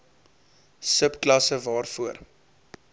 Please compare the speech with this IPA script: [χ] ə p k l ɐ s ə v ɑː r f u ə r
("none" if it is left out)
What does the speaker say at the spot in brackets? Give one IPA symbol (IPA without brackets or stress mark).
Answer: s